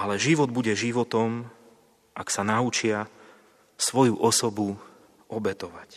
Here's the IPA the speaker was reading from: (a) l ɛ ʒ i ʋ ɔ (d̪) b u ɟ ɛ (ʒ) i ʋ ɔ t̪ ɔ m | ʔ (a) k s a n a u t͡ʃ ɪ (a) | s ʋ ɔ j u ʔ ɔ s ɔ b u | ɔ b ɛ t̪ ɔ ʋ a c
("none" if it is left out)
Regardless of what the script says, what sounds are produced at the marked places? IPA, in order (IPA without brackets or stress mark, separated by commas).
a, d̪, ʒ, a, a